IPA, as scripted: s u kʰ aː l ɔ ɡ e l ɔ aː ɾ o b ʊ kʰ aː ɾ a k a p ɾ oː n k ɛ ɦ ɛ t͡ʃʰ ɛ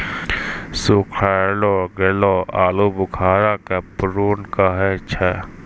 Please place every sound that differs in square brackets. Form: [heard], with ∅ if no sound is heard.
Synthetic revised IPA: s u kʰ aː l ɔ ɡ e l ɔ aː [l] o b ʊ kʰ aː ɾ a k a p ɾ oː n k [a] ɦ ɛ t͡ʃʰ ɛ